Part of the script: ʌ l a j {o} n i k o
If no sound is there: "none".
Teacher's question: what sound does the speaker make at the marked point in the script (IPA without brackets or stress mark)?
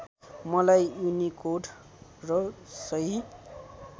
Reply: u